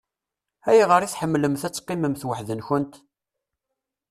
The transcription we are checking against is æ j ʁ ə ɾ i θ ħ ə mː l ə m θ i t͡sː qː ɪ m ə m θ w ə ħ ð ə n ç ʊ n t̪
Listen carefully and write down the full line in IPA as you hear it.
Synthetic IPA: æ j ʁ ə ɾ i θ ħ ə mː l ə m θ æ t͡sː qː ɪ m ə m θ w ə ħ ð ə n ç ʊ n t̪